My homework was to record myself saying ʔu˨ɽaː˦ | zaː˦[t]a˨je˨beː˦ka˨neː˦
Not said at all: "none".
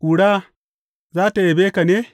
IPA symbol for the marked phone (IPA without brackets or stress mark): t